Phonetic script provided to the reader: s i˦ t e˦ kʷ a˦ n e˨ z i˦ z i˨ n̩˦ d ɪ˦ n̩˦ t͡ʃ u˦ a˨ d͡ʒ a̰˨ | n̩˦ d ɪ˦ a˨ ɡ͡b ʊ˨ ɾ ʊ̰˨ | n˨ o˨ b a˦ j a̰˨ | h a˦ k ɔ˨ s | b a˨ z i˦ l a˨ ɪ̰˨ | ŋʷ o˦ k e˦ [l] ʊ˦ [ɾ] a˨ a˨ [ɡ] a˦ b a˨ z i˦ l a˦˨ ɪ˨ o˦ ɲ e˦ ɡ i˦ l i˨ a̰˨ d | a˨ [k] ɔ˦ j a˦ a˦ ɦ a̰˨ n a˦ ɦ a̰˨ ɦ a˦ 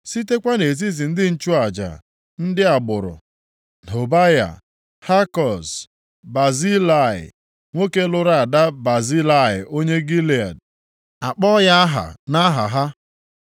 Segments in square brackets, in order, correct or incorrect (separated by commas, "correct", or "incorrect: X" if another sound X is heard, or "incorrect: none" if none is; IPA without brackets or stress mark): correct, correct, incorrect: d, incorrect: k͡p